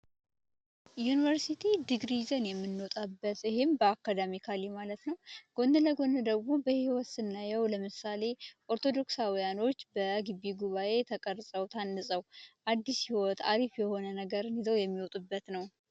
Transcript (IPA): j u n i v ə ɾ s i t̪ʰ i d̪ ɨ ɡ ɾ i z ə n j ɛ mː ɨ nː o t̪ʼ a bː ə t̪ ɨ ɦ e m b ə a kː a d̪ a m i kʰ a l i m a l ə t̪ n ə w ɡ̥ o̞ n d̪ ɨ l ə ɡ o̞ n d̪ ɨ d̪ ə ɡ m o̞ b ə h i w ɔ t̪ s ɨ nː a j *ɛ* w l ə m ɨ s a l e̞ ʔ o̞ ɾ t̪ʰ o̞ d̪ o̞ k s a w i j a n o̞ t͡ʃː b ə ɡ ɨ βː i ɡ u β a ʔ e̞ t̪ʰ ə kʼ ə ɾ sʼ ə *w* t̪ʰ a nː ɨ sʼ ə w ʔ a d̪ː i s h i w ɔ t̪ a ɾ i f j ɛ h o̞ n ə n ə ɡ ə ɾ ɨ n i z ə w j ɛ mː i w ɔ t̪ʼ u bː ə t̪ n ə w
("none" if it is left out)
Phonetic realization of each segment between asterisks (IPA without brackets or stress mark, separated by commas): ɛ, w